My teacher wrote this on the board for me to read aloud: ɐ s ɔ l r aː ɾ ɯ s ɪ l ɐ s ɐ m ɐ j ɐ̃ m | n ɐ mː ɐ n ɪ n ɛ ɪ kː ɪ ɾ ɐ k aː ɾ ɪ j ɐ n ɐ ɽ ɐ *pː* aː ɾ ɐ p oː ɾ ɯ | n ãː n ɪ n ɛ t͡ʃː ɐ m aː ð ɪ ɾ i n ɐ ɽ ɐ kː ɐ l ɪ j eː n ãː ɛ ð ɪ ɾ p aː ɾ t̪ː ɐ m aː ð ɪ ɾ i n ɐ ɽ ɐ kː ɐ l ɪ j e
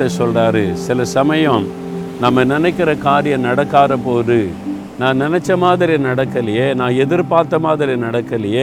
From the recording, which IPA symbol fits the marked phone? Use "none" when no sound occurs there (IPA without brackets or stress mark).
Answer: kː